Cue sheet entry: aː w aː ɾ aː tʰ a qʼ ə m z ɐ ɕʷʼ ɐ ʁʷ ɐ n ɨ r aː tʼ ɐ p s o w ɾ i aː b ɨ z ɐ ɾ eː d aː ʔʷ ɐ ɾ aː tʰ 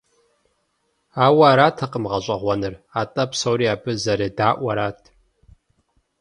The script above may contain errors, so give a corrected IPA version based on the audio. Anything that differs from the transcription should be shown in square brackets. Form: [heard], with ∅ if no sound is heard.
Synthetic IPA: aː w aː ɾ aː tʰ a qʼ ə m [ʁ] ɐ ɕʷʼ ɐ ʁʷ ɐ n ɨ r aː tʼ ɐ p s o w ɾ i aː b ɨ z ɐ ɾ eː d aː ʔʷ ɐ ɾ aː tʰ